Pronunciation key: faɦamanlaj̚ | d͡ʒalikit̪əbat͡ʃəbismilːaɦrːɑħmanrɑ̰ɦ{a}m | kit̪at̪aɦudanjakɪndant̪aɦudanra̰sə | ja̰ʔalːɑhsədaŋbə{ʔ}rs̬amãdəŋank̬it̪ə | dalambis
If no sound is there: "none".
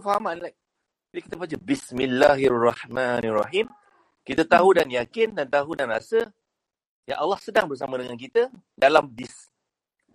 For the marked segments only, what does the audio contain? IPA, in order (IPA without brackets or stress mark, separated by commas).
i, none